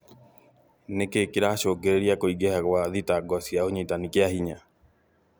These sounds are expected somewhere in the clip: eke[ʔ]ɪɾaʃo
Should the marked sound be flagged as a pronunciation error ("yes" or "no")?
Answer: yes